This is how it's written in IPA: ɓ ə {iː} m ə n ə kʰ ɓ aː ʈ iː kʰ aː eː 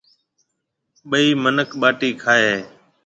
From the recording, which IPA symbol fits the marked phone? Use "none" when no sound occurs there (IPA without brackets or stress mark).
iː